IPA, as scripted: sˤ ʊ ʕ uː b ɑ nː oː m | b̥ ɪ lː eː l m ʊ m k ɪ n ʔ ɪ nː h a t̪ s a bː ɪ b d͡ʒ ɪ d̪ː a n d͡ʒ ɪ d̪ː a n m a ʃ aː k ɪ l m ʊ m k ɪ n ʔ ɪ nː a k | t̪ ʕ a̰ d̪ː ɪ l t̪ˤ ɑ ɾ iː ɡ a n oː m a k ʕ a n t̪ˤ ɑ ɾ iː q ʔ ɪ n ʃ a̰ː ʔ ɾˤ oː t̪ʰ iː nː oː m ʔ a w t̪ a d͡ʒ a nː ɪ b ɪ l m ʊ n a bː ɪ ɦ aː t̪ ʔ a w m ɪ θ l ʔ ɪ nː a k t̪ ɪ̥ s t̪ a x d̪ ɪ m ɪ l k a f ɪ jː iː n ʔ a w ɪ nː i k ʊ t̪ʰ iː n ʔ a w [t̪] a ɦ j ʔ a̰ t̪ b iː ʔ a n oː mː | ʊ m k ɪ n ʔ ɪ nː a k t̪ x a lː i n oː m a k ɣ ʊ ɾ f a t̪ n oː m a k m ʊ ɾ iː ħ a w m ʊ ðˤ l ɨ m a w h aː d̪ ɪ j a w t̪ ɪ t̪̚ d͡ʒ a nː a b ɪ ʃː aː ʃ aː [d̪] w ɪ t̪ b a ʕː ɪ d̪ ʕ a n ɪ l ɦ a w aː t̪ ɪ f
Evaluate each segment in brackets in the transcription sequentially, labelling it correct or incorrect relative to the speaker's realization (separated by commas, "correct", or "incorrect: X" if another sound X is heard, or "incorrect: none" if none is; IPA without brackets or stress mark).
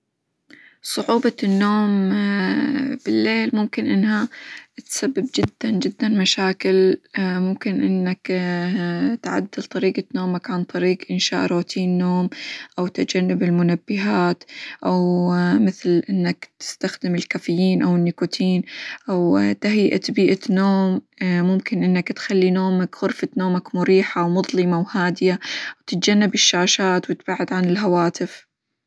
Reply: correct, incorrect: t̪